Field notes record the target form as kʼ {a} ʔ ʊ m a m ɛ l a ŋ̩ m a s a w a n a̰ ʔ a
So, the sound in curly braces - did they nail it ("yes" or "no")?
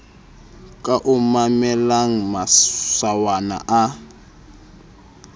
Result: yes